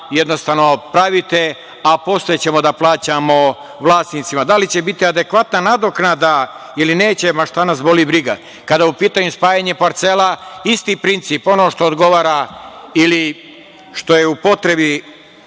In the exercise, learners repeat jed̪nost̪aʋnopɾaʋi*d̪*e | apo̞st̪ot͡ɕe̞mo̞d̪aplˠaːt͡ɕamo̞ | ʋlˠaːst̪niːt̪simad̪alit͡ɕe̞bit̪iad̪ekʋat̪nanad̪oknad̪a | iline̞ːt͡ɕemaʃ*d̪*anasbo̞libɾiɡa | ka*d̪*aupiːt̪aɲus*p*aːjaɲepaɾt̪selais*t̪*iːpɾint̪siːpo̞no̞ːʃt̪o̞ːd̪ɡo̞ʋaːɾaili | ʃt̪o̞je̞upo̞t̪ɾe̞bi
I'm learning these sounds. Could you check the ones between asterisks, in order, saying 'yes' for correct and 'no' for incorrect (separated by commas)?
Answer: no, no, yes, yes, yes